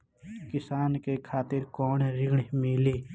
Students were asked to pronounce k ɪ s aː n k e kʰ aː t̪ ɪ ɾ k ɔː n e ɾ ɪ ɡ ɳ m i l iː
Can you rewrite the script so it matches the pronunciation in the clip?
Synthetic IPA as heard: k ɪ s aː n k e kʰ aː t̪ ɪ ɾ k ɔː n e ɾ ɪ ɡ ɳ m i l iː